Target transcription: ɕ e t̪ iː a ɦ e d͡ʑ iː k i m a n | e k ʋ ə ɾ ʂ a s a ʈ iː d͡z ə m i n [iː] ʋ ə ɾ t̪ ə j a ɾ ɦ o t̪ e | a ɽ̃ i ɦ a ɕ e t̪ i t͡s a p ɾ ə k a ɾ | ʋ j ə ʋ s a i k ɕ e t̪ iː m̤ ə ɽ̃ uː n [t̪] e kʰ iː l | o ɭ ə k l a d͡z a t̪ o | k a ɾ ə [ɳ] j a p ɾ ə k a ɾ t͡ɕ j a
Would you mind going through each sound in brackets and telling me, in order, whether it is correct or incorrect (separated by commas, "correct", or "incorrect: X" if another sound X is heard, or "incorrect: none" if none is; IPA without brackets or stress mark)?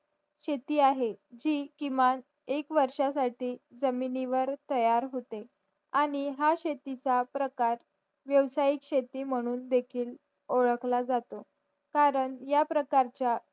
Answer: incorrect: i, incorrect: d̪, correct